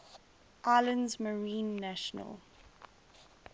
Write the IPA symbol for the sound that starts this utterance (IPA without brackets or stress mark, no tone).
ʔ